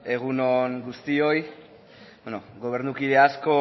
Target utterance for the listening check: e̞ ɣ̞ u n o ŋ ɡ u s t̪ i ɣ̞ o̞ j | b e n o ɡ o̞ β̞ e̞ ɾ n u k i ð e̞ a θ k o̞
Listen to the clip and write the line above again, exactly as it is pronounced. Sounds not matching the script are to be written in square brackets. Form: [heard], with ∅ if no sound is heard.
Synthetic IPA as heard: e̞ ɣ̞ u n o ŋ ɡ u s t̪ i [∅] o̞ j | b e n o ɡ o̞ β̞ e̞ ɾ n u k i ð e̞ a [s] k o̞

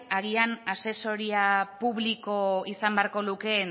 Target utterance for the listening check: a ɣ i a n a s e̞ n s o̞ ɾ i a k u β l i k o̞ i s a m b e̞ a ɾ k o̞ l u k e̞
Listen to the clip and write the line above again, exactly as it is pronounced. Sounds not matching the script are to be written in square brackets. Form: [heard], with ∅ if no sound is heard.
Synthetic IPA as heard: a ɣ i a n a s e̞ [∅] s o̞ ɾ i a [p] u β l i k o̞ i s a m b e̞ a ɾ k o̞ l u k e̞

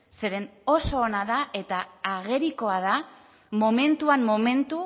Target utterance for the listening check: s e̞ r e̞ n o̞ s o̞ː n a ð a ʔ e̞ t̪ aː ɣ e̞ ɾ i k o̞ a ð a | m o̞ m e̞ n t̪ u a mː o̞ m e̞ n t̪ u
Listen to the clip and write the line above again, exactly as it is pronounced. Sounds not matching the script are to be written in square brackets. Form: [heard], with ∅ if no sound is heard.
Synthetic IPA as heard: s e̞ [ɾ] e̞ n o̞ s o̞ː n a ð a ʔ e̞ t̪ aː ɣ e̞ ɾ i k o̞ a ð a | m o̞ m e̞ n t̪ u a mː o̞ m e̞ n t̪ u

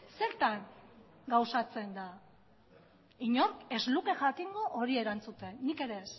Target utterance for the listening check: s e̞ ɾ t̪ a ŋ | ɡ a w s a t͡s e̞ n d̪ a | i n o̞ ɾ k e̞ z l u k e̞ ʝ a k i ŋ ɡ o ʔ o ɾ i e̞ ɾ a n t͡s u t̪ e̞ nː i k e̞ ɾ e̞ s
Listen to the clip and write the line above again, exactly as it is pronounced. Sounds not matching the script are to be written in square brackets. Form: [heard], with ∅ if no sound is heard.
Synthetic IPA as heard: s e̞ ɾ t̪ a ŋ | ɡ a w s a t͡s e̞ n d̪ a | i [ɲ] o̞ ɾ k e̞ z l u k e̞ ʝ a k i ŋ ɡ o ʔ o ɾ i e̞ ɾ a n t͡s u t̪ e̞ nː i k e̞ ɾ e̞ s

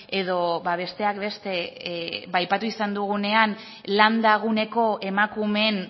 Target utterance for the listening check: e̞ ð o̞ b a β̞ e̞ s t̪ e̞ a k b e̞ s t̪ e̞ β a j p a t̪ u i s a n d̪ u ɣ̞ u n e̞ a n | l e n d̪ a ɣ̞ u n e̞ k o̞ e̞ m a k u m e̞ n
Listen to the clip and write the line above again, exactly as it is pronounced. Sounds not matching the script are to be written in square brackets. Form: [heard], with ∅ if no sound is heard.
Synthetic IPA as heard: e̞ ð o̞ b a β̞ e̞ s t̪ e̞ a k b e̞ s t̪ e̞ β a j p a t̪ u i s a n d̪ u ɣ̞ u n e̞ a n | l [a] n d̪ a ɣ̞ u n e̞ k o̞ e̞ m a k u m e̞ n

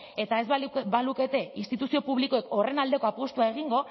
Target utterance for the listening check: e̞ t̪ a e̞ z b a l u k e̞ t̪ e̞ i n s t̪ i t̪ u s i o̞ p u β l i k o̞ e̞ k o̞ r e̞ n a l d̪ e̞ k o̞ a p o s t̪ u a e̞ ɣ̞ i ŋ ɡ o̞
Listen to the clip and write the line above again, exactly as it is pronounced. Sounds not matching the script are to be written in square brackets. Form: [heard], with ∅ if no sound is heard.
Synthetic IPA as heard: e̞ t̪ a e̞ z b a l u k e̞ t̪ e̞ i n s t̪ i t̪ u s i o̞ p u β l i k o̞ e̞ k o̞ r e̞ n a l d̪ e̞ k o̞ a p o s t̪ u a e̞ ɣ̞ i ŋ ɡ o̞

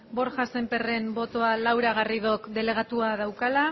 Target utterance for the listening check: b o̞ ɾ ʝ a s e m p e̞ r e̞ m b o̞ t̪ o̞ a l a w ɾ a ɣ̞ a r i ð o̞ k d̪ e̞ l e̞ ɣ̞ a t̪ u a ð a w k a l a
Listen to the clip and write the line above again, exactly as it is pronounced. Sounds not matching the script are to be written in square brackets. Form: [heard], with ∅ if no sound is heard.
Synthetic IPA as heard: b o̞ ɾ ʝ a s e m p e̞ r e̞ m b o̞ t̪ o̞ a l a w ɾ a ɣ̞ a r i ð o̞ k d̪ e̞ l e̞ ɣ̞ a t̪ u a ð a w k a l a

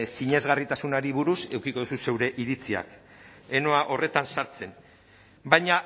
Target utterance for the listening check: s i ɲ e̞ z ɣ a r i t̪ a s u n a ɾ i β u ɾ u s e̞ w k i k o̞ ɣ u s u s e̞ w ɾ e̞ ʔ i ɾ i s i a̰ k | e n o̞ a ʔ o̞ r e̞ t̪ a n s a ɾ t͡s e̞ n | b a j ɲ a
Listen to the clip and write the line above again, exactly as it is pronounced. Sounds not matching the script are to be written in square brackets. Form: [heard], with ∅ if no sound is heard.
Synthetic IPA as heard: s i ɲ e̞ z ɣ a r i t̪ a s u n a ɾ i β u ɾ u s e̞ w k i k o̞ [ð] u s u s e̞ w ɾ e̞ ʔ i ɾ i [t͡s] i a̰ k | e n o̞ a ʔ o̞ r e̞ t̪ a n s a ɾ t͡s e̞ n | b a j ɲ a

